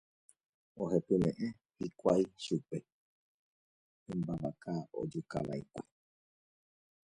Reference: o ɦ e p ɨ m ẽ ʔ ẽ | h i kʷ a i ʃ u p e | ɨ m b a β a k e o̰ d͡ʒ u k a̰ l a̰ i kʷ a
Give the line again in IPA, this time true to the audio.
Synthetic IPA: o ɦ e p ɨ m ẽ ʔ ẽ | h i kʷ a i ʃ u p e | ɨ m b a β a k a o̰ d͡ʒ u k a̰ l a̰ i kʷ a